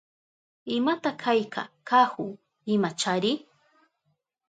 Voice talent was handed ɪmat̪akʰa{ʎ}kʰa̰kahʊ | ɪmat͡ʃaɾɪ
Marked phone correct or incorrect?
incorrect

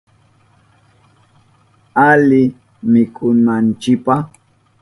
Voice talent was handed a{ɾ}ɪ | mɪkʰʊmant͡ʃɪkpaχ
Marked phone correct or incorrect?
incorrect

